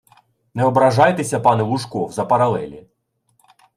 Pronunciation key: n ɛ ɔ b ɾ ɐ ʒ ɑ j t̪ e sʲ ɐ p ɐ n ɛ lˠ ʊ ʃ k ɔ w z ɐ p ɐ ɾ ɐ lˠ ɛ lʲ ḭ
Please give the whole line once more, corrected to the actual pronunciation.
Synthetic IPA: n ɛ ɔ b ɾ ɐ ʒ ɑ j t̪ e sʲ ɐ p ɑ n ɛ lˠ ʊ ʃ k ɔ w z ɐ p ɐ ɾ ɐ lˠ ɛ lʲ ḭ